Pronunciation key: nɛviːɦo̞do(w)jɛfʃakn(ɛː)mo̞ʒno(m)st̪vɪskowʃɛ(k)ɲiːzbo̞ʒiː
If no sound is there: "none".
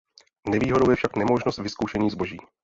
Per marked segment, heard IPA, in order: w, ɛ, none, none

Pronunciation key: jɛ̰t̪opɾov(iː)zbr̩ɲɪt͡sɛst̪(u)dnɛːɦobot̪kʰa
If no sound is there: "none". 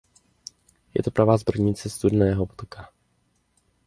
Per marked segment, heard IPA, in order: aː, u

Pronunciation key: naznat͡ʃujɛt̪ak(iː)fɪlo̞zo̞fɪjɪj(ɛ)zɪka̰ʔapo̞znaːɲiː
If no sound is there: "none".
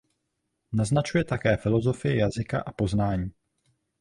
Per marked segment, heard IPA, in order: ɛː, a

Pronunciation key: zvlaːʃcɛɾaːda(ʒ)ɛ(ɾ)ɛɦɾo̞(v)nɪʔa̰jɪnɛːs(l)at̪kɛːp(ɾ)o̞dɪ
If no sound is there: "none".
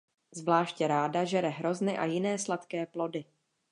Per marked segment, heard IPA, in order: ʒ, ɾ, z, l, l

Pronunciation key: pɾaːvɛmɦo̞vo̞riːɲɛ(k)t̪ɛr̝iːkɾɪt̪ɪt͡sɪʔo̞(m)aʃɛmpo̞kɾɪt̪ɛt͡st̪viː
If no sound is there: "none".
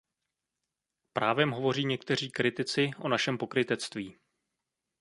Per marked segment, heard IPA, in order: k, n

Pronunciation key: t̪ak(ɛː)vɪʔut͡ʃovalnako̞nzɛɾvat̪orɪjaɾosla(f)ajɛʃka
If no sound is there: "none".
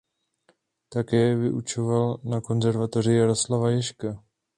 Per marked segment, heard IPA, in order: ɛː, v

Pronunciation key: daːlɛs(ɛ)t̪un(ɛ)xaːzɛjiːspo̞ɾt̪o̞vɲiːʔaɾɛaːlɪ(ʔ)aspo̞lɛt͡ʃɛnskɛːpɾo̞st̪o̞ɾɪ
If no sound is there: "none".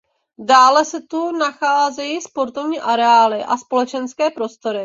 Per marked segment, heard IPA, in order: ɛ, a, ʔ

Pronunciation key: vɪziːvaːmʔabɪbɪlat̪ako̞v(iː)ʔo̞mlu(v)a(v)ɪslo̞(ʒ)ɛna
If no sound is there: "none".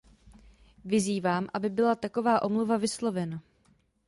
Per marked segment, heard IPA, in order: aː, v, v, v

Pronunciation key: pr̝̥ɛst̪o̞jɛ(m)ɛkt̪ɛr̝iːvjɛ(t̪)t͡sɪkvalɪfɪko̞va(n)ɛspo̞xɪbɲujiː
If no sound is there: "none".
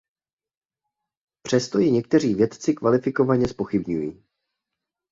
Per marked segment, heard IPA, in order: ɲ, t̪, ɲ

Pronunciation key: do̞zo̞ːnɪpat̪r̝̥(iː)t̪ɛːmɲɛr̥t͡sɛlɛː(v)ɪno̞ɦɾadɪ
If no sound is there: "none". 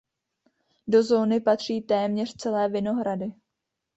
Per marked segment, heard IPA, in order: iː, v

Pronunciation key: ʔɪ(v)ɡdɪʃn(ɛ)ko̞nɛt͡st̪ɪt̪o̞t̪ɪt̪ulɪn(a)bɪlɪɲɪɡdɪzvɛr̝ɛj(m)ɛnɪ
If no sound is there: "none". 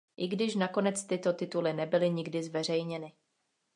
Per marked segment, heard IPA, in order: none, a, ɛ, ɲ

